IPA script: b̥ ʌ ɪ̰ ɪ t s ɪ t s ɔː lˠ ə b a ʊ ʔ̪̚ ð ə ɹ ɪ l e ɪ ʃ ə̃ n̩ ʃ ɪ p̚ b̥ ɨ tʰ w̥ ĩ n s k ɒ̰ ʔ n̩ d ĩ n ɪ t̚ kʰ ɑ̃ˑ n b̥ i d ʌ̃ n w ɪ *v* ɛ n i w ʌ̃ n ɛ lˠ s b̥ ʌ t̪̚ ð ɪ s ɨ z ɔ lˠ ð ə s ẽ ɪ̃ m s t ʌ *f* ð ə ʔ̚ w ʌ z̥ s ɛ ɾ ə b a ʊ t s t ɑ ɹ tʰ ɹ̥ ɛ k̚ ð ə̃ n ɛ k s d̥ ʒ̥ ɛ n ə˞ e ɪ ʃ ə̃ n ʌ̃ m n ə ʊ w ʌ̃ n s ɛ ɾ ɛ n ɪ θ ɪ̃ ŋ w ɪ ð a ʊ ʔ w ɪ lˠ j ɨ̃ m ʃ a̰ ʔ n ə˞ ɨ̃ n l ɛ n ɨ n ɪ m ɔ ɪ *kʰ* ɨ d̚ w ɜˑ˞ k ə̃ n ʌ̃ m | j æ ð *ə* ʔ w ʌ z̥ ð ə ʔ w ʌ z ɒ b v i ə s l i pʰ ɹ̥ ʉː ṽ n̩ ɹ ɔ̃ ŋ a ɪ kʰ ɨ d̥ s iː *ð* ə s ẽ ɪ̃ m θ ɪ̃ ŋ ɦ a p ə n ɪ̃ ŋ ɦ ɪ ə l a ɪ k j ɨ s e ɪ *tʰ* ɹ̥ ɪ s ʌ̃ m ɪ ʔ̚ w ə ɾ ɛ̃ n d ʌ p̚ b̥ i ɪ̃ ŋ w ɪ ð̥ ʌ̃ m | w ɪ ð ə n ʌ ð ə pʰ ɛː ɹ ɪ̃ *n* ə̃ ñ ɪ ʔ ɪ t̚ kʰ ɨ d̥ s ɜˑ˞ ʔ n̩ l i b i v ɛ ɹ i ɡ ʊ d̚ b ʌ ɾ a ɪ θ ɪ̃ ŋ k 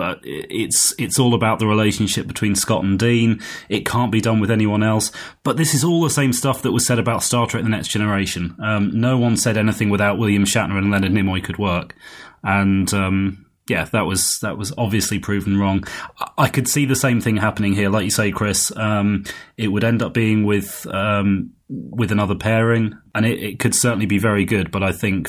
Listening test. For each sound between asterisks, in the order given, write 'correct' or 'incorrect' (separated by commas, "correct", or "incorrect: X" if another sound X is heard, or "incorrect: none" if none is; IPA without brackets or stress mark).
incorrect: ð, correct, correct, correct, correct, incorrect: kʰ, incorrect: ŋ